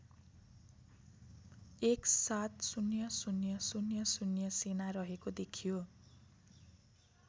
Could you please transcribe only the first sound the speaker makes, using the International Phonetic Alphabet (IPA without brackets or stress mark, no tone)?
e